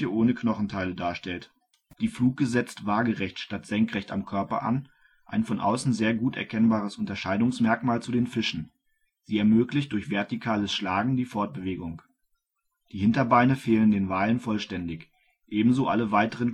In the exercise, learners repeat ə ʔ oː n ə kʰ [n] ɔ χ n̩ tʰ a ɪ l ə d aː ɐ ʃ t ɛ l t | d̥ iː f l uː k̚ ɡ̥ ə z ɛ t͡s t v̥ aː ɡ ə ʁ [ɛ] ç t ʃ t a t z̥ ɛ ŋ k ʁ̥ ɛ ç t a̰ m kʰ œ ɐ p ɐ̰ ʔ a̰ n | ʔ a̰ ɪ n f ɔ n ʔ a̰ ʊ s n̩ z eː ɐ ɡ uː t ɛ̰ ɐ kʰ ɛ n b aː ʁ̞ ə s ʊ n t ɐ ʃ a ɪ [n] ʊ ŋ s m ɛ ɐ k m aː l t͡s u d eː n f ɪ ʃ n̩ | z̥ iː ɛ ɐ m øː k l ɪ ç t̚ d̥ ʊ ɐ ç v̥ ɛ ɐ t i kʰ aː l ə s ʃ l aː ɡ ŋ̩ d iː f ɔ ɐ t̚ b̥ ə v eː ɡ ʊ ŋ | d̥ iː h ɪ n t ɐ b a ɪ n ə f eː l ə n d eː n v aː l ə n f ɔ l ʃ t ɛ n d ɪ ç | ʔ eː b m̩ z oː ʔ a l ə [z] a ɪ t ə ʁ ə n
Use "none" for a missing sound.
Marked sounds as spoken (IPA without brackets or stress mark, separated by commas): n, ɛ, d, v